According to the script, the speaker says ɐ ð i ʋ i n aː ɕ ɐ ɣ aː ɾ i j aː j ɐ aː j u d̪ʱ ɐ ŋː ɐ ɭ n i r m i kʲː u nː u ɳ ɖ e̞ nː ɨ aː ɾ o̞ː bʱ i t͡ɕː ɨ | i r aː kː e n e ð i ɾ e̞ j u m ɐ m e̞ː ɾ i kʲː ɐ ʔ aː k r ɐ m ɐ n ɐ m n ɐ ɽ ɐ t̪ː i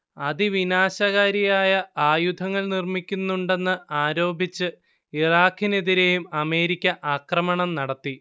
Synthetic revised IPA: ɐ ð i ʋ i n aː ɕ ɐ ɣ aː ɾ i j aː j ɐ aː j u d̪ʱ ɐ ŋː ɐ ɭ n i r m i kʲː u nː u ɳ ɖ e̞ nː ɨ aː ɾ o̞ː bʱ i t͡ɕː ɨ | i r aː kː i n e ð i ɾ e̞ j u m ɐ m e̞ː ɾ i kʲː ɐ ʔ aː k r ɐ m ɐ ɳ ɐ m n ɐ ɽ ɐ t̪ː i